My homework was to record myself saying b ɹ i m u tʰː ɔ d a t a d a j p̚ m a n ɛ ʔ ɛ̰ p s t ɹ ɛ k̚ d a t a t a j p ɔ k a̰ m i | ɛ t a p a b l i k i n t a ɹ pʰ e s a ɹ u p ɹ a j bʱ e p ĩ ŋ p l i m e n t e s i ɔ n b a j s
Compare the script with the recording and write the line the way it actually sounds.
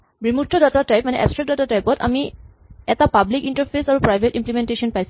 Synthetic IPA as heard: b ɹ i m u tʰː ɔ d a t a t a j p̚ m a n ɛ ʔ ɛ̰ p s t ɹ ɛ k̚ d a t a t a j p ɔ t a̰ m i | ɛ t a p a b l i k i n t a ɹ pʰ e s a ɹ u p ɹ a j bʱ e t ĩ m p l i m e n t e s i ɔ n p a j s